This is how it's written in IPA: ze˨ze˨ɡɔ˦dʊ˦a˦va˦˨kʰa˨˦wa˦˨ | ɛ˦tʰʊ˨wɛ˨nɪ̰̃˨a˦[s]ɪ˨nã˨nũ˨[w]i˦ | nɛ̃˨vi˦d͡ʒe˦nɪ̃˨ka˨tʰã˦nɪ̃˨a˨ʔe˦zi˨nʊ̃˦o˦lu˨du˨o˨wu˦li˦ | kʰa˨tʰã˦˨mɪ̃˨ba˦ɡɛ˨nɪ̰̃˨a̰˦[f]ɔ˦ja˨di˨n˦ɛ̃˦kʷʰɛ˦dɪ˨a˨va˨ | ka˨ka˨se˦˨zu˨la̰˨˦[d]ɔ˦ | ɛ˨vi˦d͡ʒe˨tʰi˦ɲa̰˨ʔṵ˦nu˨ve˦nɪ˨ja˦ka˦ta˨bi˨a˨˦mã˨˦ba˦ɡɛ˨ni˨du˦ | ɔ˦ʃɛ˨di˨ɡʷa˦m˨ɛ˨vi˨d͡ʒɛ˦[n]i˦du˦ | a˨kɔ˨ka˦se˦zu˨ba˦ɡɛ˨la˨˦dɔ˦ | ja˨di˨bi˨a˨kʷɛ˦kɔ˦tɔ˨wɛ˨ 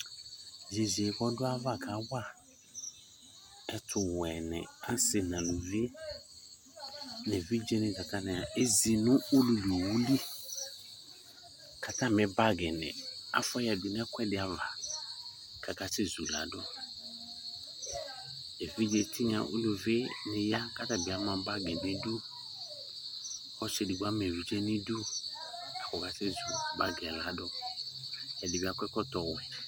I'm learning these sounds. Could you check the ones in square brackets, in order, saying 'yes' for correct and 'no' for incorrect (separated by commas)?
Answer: yes, no, yes, yes, yes